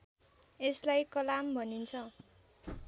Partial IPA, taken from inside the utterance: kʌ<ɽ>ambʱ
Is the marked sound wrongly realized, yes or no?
yes